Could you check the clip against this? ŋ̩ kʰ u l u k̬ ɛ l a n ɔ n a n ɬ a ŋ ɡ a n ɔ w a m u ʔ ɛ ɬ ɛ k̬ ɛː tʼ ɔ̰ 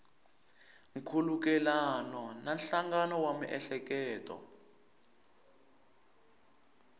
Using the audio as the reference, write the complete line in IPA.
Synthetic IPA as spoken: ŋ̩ kʰ u l u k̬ ɛ l a n ɔ n a n ɬ a ŋ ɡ a n ɔ w a m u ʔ ɛ ɬ ɛ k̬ ɛː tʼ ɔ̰